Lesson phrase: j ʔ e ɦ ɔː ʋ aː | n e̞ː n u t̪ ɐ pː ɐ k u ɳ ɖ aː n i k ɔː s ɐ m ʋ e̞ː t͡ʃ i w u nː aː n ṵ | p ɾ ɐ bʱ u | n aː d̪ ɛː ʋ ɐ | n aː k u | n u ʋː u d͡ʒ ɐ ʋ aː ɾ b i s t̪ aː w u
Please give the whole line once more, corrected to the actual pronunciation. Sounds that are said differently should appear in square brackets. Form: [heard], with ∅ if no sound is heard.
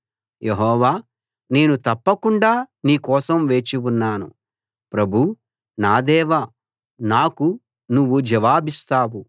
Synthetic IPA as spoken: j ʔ e ɦ ɔː ʋ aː | n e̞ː n u t̪ ɐ pː ɐ k u ɳ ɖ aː n [iː] k ɔː s ɐ m ʋ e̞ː t͡ʃ i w u nː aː n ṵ | p ɾ ɐ bʱ u | n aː d̪ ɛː ʋ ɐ | n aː k u | n u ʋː u d͡ʒ ɐ ʋ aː [∅] b i s t̪ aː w u

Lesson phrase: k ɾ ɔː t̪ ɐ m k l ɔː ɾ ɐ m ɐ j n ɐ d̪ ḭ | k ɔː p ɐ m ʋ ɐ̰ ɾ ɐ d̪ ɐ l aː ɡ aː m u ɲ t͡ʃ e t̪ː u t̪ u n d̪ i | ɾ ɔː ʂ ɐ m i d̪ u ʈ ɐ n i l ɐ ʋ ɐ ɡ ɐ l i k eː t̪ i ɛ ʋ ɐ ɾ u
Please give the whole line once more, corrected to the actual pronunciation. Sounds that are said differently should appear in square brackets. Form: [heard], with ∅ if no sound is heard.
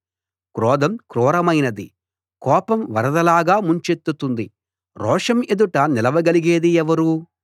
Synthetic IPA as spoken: k ɾ ɔː [d̪] ɐ m k [ɾ] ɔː ɾ ɐ m ɐ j n ɐ d̪ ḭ | k ɔː p ɐ m ʋ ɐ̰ ɾ ɐ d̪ ɐ l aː ɡ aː m u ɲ t͡ʃ e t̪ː u t̪ u n d̪ i | ɾ ɔː ʂ ɐ m [e] d̪ u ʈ ɐ n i l ɐ ʋ ɐ ɡ ɐ l i [ɡ] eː [d̪] i ɛ ʋ ɐ ɾ u

